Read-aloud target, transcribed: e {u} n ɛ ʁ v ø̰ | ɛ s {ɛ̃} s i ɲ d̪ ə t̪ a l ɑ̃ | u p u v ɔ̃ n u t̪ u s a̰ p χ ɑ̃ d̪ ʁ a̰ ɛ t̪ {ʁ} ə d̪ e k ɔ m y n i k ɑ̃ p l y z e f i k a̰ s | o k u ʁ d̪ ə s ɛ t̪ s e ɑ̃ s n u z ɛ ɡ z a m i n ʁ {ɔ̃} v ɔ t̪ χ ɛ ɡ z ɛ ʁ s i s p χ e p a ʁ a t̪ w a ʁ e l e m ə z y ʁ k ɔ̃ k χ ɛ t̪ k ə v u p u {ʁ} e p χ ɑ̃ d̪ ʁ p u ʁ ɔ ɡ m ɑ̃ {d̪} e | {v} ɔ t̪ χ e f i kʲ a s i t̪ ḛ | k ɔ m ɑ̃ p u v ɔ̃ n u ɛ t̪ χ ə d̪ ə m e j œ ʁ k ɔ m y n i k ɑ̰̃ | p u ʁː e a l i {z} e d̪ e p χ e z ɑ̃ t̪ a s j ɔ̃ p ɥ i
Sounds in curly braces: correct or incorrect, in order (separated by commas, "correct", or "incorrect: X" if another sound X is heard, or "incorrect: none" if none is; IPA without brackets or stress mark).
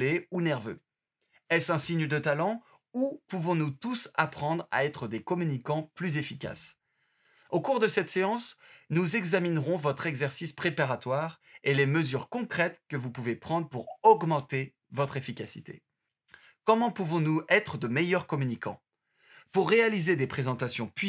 correct, correct, incorrect: χ, correct, incorrect: v, incorrect: t̪, correct, correct